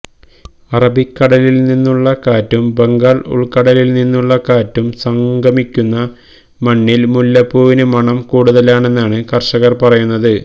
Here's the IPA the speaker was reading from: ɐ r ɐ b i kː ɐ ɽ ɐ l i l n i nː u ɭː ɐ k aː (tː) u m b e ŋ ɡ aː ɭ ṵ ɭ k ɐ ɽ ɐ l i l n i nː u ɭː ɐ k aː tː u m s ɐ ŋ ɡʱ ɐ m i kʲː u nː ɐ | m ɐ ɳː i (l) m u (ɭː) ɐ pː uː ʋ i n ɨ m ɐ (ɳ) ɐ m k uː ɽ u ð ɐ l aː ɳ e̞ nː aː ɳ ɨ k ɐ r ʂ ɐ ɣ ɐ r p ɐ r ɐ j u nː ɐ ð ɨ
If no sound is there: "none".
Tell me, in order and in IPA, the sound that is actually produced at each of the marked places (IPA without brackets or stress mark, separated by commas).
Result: tː, l, lː, ɳ